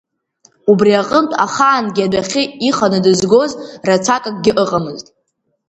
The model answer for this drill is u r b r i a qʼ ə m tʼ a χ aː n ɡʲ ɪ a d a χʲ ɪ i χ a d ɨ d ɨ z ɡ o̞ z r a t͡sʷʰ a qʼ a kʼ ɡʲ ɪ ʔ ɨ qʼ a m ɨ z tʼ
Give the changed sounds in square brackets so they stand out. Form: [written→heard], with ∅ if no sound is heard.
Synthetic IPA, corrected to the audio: u [r→∅] b r i a qʼ ə m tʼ a χ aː n ɡʲ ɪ a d a χʲ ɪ i χ a [d→n] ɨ d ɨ z ɡ o̞ z r a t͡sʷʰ a [qʼ→kʼ] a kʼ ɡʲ ɪ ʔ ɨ qʼ a m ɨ z tʼ